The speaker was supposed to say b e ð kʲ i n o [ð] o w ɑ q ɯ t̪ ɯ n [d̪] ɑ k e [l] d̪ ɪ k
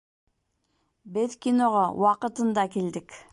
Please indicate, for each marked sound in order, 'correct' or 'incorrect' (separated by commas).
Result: incorrect, correct, correct